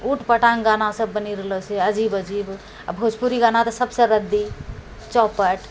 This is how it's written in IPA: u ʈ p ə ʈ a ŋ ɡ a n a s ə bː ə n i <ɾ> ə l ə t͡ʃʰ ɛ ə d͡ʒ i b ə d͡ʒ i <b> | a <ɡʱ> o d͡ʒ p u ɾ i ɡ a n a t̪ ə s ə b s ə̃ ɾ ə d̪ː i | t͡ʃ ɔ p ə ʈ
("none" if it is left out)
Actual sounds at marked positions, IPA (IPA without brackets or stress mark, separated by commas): ɾ, b, bʱ